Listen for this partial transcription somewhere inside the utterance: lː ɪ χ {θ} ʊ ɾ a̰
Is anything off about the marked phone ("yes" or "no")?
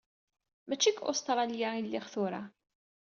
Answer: no